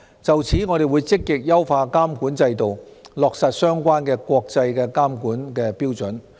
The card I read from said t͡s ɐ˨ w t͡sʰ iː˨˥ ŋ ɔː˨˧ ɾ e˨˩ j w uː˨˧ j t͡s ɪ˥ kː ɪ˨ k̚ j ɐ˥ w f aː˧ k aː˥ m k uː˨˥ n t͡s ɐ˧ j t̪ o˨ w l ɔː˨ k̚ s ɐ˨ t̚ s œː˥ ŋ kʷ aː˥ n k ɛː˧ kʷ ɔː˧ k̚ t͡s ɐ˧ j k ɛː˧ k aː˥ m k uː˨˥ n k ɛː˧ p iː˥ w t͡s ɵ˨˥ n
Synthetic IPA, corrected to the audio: t͡s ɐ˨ w t͡sʰ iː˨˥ ŋ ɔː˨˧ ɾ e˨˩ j w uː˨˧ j t͡s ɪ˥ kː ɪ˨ k̚ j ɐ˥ w f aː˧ k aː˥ m k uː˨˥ n t͡s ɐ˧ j t̪ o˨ w l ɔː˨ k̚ s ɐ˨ t̚ s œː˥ ŋ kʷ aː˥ n k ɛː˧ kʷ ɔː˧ k̚ t͡s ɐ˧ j k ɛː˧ k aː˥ m k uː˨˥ n k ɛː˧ p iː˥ w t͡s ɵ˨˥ n